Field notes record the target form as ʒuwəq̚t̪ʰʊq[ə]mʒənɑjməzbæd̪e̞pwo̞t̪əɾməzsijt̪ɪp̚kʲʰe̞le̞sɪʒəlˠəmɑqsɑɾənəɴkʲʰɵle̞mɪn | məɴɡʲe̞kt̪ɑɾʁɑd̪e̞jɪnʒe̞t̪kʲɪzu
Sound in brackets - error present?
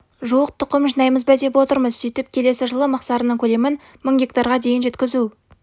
no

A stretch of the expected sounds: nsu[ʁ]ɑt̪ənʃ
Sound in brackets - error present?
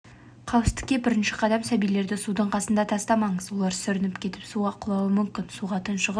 no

